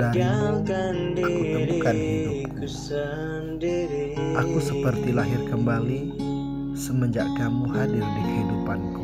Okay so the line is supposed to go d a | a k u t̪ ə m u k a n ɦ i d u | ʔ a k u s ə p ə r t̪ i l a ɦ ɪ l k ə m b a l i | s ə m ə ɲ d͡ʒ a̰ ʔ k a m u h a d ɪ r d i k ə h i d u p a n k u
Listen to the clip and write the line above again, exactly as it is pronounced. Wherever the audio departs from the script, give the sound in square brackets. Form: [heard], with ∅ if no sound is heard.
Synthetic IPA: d a | a k u t̪ ə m u k a n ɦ i d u | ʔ a k u s ə p ə r t̪ i l a ɦ ɪ [r] k ə m b a l i | s ə m ə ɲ d͡ʒ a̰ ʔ k a m u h a d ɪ r d i k ə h i d u p a n k u